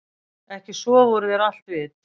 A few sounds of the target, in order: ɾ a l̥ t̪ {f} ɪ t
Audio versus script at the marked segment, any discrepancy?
yes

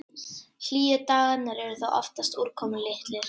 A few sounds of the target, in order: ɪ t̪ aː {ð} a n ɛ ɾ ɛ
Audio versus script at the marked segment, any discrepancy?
yes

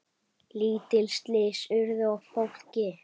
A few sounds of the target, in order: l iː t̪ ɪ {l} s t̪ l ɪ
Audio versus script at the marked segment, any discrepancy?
no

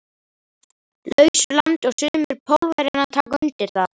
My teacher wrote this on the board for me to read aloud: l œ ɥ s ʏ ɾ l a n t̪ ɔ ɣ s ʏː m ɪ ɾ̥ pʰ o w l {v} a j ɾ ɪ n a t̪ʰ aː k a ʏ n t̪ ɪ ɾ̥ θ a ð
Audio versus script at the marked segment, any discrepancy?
no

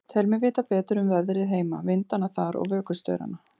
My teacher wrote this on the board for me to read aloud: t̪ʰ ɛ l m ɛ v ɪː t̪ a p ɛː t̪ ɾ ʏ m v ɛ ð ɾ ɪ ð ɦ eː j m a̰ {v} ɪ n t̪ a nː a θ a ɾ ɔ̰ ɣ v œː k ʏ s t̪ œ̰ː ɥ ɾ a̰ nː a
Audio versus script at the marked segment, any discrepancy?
no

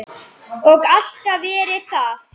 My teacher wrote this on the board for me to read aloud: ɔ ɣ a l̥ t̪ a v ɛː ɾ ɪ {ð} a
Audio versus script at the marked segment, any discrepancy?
yes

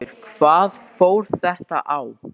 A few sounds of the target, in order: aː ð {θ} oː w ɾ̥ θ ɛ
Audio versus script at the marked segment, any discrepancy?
yes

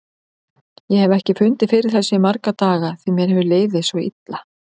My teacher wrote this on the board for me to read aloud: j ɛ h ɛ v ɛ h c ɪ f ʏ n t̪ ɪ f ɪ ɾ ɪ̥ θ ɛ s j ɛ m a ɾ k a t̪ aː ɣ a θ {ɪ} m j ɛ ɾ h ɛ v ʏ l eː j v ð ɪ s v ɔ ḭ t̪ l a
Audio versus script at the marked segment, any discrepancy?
yes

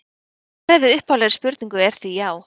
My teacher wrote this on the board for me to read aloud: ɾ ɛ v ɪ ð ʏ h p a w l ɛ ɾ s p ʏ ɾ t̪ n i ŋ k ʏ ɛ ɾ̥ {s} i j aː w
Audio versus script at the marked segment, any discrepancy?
yes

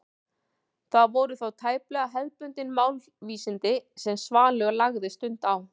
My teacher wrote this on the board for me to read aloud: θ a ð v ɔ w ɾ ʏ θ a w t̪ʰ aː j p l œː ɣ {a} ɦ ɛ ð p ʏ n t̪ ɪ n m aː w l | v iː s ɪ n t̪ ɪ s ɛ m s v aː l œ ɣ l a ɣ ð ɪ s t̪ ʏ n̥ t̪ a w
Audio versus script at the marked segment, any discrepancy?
no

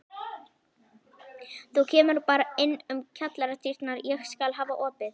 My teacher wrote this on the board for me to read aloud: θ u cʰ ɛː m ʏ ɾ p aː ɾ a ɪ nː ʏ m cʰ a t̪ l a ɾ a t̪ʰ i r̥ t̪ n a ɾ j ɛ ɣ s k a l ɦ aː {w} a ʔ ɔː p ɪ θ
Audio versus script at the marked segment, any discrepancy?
yes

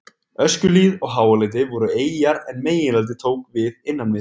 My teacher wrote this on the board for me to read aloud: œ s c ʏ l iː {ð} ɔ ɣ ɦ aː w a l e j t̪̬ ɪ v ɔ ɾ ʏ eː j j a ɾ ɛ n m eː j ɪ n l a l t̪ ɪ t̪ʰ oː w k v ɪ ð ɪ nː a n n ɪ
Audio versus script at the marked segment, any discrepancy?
no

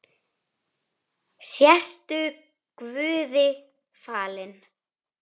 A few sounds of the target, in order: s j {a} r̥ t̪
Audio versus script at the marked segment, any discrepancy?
yes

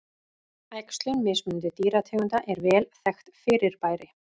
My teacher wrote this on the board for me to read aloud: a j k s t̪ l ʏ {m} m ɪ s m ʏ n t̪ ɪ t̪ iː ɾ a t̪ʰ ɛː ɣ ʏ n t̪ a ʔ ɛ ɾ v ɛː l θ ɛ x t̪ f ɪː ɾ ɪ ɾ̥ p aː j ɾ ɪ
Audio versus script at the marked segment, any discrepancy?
yes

